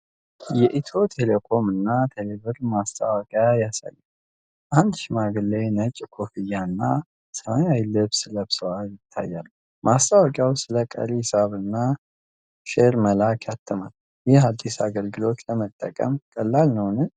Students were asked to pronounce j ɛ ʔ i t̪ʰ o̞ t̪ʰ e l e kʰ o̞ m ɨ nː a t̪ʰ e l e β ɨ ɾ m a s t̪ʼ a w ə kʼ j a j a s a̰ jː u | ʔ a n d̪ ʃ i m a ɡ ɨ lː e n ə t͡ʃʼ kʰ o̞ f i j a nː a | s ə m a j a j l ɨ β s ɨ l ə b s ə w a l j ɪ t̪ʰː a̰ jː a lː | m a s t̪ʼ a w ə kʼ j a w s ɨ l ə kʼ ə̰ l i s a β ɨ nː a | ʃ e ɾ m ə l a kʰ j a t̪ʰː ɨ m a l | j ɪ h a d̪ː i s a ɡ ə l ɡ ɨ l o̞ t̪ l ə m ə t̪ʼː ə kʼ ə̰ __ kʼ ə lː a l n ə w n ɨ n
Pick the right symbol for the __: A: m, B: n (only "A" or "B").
A